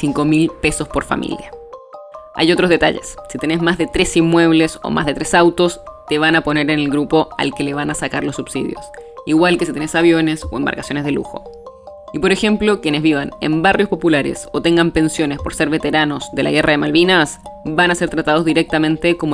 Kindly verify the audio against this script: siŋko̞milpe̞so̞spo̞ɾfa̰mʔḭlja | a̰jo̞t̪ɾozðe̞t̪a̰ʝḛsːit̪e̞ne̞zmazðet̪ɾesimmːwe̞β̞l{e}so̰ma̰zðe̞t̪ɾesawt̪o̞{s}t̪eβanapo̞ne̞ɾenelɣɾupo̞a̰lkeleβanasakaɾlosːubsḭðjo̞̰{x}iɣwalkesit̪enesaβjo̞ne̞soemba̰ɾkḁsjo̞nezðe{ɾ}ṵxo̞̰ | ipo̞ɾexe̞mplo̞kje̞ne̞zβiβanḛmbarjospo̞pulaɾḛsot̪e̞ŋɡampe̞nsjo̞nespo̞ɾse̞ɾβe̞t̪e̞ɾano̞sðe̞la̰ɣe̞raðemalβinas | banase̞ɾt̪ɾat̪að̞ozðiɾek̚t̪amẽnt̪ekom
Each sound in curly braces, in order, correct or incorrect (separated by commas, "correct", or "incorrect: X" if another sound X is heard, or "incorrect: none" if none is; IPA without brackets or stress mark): correct, correct, incorrect: s, incorrect: l